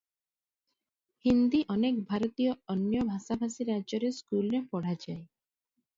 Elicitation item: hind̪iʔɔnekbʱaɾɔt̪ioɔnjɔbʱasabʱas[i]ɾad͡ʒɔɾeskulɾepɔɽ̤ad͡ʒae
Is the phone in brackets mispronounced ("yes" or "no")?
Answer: no